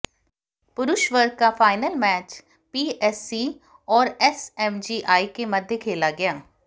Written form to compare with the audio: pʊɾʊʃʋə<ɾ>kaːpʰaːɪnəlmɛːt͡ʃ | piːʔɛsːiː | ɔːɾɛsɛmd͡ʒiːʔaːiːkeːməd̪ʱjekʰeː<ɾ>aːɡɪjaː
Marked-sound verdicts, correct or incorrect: correct, incorrect

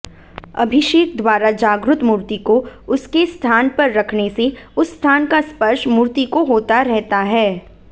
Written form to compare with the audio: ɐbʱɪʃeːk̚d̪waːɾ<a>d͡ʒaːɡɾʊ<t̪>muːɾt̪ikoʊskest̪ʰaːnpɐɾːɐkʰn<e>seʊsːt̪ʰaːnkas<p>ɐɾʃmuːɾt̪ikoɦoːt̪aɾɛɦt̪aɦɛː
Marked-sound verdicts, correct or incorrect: correct, correct, correct, correct

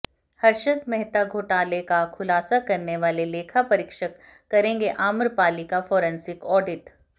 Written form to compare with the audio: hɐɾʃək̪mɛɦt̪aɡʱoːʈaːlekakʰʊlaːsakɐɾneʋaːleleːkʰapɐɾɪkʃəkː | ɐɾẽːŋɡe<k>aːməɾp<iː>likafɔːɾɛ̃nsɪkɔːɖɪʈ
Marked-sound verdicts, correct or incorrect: incorrect, incorrect

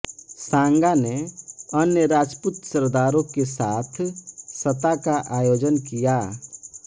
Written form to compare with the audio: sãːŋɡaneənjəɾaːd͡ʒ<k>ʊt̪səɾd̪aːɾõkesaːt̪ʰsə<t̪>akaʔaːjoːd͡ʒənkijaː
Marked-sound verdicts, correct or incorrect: incorrect, correct

